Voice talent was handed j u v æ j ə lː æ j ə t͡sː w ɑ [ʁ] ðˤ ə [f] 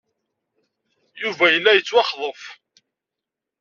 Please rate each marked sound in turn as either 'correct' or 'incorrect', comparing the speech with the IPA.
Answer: incorrect: χ, correct

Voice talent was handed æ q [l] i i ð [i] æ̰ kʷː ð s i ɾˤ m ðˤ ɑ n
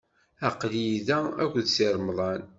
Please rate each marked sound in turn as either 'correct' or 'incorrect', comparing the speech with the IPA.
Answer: correct, incorrect: æ

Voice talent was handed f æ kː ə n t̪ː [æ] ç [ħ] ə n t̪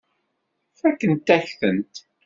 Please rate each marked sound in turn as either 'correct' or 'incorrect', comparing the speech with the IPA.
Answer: correct, incorrect: θ

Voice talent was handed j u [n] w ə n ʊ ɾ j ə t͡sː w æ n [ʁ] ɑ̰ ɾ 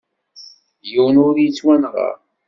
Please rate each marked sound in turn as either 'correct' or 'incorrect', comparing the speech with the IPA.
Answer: incorrect: none, correct

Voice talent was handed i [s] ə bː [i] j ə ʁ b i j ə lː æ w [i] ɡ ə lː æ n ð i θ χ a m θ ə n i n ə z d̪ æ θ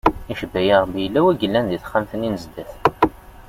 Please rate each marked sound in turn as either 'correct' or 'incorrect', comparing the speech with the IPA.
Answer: incorrect: ʃ, incorrect: æ, incorrect: æ

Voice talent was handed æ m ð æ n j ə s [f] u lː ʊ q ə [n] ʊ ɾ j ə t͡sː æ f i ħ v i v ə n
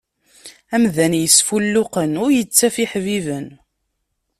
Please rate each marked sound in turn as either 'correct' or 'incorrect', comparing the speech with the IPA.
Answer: correct, correct

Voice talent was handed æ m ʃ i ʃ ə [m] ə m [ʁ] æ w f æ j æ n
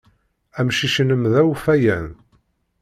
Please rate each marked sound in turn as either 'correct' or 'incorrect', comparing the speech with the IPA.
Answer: incorrect: n, incorrect: ð

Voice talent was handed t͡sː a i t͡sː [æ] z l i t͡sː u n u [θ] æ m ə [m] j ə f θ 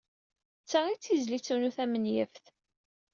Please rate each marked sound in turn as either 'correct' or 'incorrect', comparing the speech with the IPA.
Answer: incorrect: i, correct, incorrect: n

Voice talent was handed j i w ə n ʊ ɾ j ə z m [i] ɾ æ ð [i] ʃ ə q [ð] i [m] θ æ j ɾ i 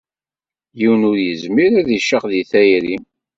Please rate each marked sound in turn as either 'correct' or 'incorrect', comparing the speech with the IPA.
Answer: correct, correct, correct, incorrect: none

